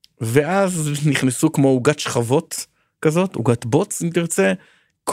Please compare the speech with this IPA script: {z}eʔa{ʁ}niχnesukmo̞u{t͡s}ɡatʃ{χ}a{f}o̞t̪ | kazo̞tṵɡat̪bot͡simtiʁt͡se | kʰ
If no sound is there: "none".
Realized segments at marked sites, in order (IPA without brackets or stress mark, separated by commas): v, z, none, χ, v